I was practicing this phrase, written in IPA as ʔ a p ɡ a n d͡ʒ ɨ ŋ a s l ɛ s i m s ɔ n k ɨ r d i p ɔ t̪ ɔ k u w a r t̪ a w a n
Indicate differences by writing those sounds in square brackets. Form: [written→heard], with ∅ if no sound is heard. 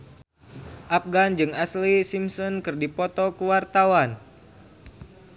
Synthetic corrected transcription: ʔ a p ɡ a n d͡ʒ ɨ ŋ a s l [ɛ→i] s i m s ɔ n k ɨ r d i p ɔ t̪ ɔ k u w a r t̪ a w a n

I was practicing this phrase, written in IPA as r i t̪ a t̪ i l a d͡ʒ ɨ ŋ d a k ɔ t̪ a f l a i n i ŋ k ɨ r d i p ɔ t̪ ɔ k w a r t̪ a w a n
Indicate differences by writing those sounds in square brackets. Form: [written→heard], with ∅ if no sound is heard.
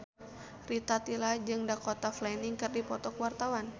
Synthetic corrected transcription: r i t̪ a t̪ i l a d͡ʒ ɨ ŋ d a k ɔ t̪ a f l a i n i ŋ k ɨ r d i p ɔ t̪ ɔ k w a r t̪ a w a n

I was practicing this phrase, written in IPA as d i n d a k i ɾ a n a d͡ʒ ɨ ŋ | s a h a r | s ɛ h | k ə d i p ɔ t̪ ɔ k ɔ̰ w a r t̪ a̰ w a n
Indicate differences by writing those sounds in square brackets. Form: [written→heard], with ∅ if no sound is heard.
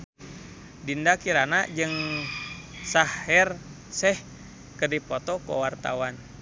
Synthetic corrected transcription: d i n d a k i ɾ a n a d͡ʒ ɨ ŋ | s a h [a→ɛ] r | s ɛ h | k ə d i p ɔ t̪ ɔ k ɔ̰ w a r t̪ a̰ w a n

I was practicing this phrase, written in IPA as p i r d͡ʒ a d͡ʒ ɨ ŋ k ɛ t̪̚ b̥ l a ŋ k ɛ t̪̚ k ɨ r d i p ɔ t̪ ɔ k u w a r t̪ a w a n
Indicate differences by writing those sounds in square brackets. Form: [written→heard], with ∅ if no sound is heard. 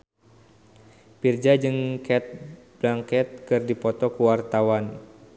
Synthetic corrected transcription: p i r d͡ʒ a d͡ʒ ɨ ŋ k ɛ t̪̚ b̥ l a ŋ k ɛ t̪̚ k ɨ r d i p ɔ t̪ ɔ k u w a r t̪ a w a n

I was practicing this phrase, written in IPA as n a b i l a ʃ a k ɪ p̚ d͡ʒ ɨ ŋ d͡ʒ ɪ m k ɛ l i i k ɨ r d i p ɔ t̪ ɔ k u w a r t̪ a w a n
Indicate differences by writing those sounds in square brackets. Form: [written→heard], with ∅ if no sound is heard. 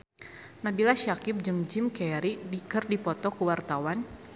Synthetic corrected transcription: n a b i l a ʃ a k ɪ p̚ d͡ʒ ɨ ŋ d͡ʒ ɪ m k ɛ [l→ɾ] i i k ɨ r d i p ɔ t̪ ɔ k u w a r t̪ a w a n

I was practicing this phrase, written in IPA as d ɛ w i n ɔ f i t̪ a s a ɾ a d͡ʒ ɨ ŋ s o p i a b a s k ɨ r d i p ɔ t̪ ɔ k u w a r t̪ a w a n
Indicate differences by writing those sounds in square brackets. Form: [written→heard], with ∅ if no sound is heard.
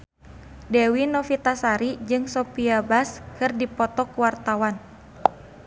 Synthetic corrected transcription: d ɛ w i n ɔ f i t̪ a s a ɾ [a→i] d͡ʒ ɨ ŋ s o p i a b a s k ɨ r d i p ɔ t̪ ɔ k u w a r t̪ a w a n

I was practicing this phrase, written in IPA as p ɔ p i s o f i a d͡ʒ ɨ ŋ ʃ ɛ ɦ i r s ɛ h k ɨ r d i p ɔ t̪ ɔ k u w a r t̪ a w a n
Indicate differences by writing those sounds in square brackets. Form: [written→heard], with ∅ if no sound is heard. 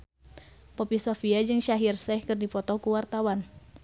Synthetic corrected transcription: p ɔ p i s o f i a d͡ʒ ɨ ŋ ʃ [ɛ→a] ɦ i r s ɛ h k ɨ r d i p ɔ t̪ ɔ k u w a r t̪ a w a n

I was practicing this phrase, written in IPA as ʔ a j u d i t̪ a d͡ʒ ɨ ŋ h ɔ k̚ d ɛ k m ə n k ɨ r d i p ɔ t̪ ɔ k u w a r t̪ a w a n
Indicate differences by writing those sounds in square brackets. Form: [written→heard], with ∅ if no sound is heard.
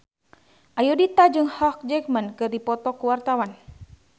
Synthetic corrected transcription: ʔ a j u d i t̪ a d͡ʒ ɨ ŋ h ɔ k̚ [d→d͡ʒ] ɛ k m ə n k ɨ r d i p ɔ t̪ ɔ k u w a r t̪ a w a n

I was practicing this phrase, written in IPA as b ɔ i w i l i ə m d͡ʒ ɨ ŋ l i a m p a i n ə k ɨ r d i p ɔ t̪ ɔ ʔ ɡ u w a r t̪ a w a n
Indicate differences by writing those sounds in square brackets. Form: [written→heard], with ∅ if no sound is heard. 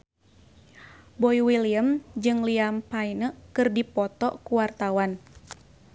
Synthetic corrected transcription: b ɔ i w i l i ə m d͡ʒ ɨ ŋ l i a m p a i n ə k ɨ r d i p ɔ t̪ ɔ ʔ [ɡ→k] u w a r t̪ a w a n

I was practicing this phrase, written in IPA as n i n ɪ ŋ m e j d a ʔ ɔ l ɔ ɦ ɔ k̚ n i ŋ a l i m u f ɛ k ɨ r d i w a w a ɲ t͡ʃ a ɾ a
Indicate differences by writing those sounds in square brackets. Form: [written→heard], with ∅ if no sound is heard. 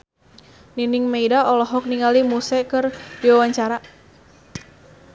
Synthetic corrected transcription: n i n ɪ ŋ m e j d a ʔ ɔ l ɔ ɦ ɔ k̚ n i ŋ a l i m u [f→s] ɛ k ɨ r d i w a w a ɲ t͡ʃ a ɾ a

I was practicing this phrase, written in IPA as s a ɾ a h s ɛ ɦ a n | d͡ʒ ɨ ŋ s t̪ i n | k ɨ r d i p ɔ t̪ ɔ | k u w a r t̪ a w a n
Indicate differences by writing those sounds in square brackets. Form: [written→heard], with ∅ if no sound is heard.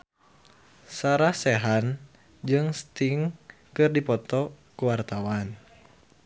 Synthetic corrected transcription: s a ɾ a h s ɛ ɦ a n | d͡ʒ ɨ ŋ s t̪ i [n→ŋ] | k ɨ r d i p ɔ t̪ ɔ | k u w a r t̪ a w a n

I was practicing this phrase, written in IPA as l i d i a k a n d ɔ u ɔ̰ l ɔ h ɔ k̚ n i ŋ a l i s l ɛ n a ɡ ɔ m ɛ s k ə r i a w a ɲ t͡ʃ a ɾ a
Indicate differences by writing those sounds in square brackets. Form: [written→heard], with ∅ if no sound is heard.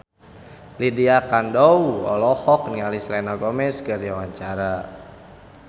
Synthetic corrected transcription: l i d i a k a n d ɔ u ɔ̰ l ɔ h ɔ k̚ n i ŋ a l i s l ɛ n a ɡ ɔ m ɛ s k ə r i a w a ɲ t͡ʃ a ɾ a

